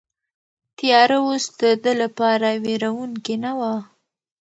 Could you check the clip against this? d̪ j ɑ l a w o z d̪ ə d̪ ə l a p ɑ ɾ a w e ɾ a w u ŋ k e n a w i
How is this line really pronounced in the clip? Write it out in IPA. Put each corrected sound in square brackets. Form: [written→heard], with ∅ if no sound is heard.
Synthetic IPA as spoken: [d̪→t̪] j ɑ [l→ɾ] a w o [z→s] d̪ ə d̪ ə l a p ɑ ɾ a w e ɾ a w u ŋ k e n a w [i→a]